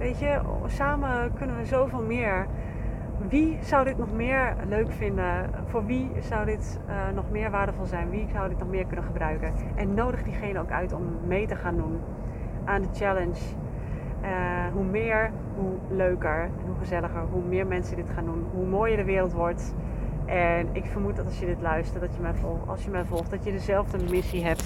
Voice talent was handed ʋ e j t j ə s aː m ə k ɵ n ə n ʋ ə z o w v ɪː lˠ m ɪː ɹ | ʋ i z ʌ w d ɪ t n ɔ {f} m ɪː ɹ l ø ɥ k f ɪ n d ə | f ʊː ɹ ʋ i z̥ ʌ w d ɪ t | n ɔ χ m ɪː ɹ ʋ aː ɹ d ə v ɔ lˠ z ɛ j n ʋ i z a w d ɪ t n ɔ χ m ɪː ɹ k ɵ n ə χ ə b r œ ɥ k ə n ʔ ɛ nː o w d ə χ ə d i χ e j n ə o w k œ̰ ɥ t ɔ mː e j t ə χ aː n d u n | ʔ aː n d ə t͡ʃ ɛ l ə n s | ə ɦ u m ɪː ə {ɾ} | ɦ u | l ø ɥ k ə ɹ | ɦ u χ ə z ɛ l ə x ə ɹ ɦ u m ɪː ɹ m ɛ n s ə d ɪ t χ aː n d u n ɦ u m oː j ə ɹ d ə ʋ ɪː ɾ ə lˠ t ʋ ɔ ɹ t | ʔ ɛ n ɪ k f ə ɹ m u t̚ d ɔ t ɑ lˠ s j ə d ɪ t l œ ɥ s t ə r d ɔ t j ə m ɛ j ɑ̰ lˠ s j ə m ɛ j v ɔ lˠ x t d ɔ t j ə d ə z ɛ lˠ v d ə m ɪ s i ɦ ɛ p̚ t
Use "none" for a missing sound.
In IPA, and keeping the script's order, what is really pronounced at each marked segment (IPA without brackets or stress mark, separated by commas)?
χ, ɹ